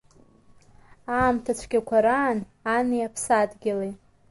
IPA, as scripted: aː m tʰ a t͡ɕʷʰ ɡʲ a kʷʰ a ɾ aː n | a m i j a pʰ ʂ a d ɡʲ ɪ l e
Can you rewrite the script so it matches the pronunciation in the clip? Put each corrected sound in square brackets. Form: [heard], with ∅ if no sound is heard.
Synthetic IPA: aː m tʰ a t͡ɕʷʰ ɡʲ a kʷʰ a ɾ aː n | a [n] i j a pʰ [s] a d ɡʲ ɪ l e